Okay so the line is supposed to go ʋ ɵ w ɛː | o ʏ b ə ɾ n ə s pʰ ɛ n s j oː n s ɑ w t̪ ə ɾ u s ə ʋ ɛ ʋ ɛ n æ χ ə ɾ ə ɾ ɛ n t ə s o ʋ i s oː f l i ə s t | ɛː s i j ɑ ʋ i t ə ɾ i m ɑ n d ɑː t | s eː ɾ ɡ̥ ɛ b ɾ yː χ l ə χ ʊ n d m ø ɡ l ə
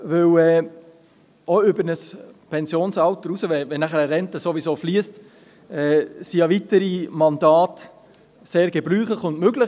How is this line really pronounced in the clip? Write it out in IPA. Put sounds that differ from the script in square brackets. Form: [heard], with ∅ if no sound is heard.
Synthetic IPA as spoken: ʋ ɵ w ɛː | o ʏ b ə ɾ n ə s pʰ ɛ n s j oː n s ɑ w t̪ ə ɾ u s ə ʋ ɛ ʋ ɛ n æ χ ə ɾ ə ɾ ɛ n t ə s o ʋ i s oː f l i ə s t | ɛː s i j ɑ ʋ i t ə ɾ i m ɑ n d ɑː t | s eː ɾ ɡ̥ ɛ b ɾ yː χ l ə χ ʊ n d m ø ɡ l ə